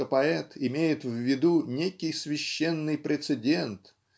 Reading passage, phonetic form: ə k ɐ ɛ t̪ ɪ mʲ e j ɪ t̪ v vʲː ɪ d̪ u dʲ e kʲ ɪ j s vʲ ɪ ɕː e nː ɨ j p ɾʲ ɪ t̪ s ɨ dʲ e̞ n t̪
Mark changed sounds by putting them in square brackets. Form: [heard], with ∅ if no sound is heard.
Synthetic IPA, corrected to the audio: ə [p] ɐ ɛ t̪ ɪ mʲ e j ɪ t̪ v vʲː ɪ d̪ u [nʲ] e kʲ ɪ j s vʲ ɪ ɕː e nː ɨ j p ɾʲ ɪ t̪ s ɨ dʲ e̞ n t̪